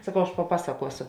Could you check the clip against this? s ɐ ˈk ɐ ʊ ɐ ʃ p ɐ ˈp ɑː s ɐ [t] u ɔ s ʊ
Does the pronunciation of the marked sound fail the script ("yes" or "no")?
yes